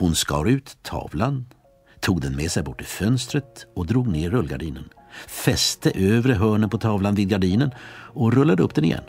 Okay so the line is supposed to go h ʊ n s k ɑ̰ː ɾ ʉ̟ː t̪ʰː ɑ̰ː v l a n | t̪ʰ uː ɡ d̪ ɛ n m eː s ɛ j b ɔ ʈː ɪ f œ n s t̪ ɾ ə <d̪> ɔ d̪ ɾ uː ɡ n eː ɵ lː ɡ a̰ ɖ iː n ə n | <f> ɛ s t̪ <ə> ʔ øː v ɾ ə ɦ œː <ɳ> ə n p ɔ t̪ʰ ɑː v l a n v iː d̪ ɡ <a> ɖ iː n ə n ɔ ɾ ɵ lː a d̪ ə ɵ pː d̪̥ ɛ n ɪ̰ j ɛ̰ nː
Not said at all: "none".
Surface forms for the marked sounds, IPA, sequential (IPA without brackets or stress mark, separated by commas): t̪, f, ə, ɳ, a